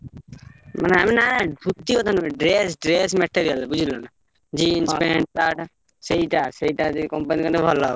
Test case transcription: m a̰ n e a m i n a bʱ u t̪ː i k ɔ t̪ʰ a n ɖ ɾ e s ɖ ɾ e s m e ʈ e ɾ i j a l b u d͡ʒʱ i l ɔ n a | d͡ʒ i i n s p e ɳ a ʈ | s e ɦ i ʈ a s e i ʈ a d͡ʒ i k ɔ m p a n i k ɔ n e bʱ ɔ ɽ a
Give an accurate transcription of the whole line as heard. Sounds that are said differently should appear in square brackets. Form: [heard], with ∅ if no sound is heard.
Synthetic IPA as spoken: m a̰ n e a m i n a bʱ u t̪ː i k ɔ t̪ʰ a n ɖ ɾ e s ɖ ɾ e s m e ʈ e ɾ i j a l b u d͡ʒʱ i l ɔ n a | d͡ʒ i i n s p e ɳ a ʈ | s e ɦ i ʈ a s e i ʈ a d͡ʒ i k ɔ m p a n i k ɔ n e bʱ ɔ [l] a